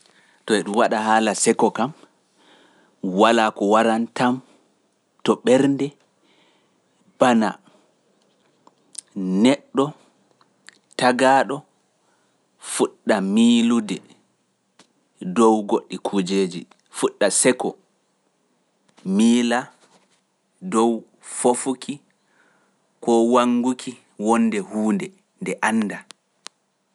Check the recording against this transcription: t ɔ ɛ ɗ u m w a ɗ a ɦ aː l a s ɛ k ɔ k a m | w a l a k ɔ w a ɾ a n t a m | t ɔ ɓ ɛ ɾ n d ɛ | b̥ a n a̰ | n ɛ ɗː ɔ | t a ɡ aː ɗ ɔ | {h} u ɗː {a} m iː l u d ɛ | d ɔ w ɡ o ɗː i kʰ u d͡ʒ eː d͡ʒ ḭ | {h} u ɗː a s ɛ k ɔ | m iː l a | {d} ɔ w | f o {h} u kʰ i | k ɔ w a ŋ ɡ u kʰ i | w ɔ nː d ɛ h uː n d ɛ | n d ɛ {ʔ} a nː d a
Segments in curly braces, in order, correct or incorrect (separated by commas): incorrect, correct, incorrect, correct, incorrect, correct